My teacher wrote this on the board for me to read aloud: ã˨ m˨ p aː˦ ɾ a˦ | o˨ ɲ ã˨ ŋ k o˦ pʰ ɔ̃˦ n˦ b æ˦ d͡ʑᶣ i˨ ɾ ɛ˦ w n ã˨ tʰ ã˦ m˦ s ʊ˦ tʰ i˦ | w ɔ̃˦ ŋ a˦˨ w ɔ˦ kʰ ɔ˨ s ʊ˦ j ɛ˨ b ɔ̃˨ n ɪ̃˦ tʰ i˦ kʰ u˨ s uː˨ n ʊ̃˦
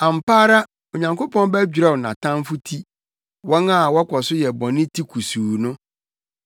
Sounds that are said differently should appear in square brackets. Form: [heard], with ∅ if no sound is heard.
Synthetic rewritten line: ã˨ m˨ p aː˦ ɾ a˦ | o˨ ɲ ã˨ ŋ k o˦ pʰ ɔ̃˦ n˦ b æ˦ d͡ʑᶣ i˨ ɾ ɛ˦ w n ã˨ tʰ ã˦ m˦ [f] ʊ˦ tʰ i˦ | w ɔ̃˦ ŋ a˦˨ w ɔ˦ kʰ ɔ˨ s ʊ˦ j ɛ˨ b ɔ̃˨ n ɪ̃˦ tʰ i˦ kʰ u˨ s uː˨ n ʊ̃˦